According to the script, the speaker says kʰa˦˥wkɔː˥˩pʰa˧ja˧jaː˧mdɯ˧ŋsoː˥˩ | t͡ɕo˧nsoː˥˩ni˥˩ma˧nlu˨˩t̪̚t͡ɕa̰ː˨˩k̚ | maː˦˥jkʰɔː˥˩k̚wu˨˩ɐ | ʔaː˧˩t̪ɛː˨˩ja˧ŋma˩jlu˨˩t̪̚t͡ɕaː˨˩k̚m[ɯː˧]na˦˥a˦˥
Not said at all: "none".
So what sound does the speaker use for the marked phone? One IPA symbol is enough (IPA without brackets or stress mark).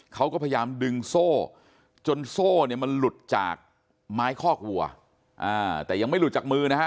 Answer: ɯː˧